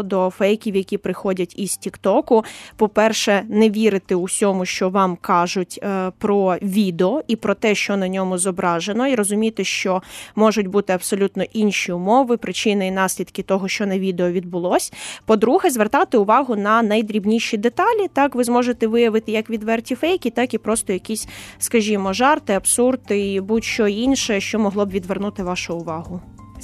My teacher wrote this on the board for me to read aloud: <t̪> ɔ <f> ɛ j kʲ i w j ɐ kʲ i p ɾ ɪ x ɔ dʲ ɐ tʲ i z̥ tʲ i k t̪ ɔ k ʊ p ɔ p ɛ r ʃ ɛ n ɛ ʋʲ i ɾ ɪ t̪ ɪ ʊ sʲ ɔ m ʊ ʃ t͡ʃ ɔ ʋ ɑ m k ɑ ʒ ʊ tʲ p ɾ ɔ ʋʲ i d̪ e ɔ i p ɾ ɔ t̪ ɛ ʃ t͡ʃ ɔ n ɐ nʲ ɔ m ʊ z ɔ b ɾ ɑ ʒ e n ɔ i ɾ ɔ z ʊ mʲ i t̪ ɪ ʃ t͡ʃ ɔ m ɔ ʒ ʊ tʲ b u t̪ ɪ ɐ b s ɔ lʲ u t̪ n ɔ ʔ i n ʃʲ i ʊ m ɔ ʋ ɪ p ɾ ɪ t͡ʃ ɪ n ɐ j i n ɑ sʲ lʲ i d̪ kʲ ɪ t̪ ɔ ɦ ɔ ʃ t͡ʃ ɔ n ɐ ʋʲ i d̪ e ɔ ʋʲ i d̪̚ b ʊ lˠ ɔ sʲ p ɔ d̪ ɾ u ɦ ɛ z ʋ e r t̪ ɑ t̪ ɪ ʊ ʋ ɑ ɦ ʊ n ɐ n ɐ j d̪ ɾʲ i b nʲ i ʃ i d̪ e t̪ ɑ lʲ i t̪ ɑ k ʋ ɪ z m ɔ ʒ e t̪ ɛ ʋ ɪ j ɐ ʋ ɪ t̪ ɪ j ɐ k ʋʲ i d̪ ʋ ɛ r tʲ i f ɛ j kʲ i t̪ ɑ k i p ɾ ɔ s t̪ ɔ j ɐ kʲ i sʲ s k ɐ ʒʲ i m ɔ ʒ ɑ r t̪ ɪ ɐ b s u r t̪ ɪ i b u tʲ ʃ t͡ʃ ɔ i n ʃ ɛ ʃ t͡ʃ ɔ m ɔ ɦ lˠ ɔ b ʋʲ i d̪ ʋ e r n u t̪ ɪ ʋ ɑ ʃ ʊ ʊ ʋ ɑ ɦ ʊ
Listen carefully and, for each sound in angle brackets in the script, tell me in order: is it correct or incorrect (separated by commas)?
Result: incorrect, correct